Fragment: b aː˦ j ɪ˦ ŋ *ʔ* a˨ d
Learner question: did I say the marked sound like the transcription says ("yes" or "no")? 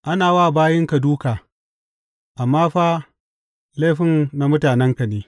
no